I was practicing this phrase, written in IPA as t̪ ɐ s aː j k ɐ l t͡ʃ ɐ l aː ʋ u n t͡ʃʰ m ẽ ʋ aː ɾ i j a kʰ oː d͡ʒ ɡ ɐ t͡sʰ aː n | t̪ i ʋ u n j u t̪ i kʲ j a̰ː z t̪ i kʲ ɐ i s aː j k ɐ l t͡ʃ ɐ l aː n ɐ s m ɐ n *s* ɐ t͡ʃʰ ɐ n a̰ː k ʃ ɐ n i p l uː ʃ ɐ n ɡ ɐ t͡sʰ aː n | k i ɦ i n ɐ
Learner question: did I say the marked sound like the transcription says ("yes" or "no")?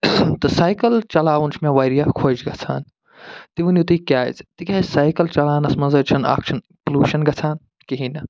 no